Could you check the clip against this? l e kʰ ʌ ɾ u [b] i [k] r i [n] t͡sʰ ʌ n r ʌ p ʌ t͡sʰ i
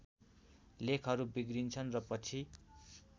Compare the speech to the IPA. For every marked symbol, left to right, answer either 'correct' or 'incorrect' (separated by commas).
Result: correct, incorrect, correct